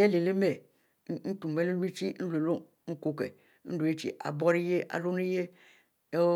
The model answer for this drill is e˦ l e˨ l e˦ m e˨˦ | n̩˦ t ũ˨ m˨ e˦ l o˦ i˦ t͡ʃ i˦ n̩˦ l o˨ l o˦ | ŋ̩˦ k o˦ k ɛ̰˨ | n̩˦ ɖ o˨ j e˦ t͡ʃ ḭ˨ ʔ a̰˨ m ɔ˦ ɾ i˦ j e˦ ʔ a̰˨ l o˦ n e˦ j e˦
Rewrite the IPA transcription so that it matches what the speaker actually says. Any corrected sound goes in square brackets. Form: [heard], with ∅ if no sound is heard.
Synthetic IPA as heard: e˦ l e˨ l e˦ m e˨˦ | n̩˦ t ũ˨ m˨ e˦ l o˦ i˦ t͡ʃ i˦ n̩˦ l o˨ l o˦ | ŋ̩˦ k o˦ k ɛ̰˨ | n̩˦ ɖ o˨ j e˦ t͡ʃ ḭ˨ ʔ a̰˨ [b] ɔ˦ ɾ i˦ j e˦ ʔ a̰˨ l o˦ n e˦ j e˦